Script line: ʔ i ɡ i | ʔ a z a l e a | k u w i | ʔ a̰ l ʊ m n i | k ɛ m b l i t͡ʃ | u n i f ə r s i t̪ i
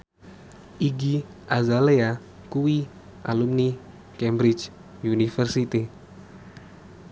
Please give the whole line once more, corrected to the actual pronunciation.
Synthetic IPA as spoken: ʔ i ɡ i | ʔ a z a l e a | k u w i | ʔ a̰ l u m n i | k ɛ m b ɾ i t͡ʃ | u n i f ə r s i t̪ i